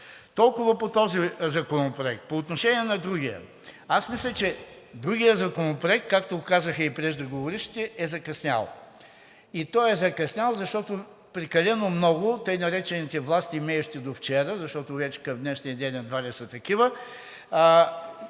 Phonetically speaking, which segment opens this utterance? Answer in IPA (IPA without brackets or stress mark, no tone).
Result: t̪